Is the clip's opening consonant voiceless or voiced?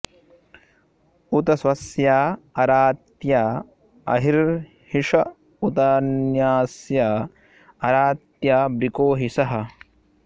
voiceless